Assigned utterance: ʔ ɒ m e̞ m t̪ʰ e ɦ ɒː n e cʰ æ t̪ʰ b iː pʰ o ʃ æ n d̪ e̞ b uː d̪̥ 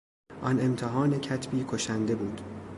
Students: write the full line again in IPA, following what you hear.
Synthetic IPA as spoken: ʔ ɒ n e̞ m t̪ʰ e ɦ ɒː n e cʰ æ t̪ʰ b iː kʰ o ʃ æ n d̪ e̞ b uː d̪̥